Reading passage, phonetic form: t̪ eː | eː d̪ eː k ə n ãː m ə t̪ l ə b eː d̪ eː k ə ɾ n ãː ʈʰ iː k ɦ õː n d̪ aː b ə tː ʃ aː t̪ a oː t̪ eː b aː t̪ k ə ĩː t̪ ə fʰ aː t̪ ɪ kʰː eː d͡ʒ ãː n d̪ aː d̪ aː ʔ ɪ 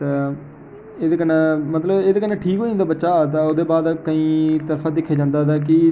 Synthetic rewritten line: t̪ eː | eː d̪ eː k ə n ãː m ə t̪ l ə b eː d̪ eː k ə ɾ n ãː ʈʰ iː k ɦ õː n d̪ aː b ə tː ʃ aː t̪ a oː d̪ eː b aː d̪ k ə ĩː t̪ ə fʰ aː d̪ ɪ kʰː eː d͡ʒ ãː n d̪ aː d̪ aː k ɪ